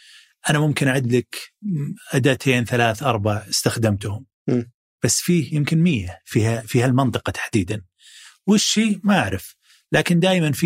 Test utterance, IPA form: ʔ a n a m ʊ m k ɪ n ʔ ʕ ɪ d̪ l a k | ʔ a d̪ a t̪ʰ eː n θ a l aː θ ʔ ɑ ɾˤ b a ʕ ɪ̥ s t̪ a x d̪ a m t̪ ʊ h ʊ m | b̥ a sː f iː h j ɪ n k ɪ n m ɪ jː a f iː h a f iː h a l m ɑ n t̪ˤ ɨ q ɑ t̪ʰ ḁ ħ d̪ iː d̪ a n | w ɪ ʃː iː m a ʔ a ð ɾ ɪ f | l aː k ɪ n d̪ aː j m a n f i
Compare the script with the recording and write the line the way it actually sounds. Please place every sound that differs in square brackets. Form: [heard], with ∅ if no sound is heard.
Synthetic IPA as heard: ʔ a n a m ʊ m k ɪ n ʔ ʕ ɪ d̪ l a k | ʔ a d̪ a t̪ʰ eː n θ a l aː θ ʔ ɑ ɾˤ b a ʕ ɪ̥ s t̪ a x d̪ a m t̪ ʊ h ʊ m | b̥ a sː f iː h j ɪ [m] k ɪ n m ɪ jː a f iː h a f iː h a l m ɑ n t̪ˤ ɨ q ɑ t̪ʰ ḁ ħ d̪ iː d̪ a n | w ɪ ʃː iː m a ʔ a [ʕ] ɾ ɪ f | l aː k ɪ n d̪ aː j m a n f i